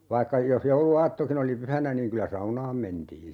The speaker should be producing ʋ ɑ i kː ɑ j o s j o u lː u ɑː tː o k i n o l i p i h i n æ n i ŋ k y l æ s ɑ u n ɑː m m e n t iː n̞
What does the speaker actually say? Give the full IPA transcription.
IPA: ʋ ɑ i kː ɑ j o s j o u l u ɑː tː o k i n o l i p y h æ n æ n iː ŋ k y l æ s ɑ u n ɑː m m e n t iː n̞